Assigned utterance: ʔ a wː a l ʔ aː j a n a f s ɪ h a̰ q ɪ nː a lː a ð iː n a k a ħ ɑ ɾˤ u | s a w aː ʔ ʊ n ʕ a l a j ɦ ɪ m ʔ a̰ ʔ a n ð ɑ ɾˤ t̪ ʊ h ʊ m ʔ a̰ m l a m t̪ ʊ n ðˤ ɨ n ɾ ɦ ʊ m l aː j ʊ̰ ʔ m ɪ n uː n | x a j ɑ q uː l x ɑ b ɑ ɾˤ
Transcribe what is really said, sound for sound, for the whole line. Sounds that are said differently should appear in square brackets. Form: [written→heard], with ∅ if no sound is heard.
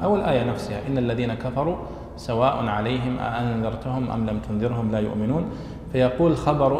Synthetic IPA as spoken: ʔ a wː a l ʔ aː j a n a f s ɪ h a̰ [q→ʔ] ɪ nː a lː a ð iː n a k a [ħ→f] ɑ ɾˤ u | s a w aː ʔ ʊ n ʕ a l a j ɦ ɪ m ʔ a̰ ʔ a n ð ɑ ɾˤ t̪ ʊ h ʊ m ʔ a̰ m l a m t̪ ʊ n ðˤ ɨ [n→∅] ɾ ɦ ʊ m l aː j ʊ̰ ʔ m ɪ n uː n | [x→f] a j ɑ q uː l x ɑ b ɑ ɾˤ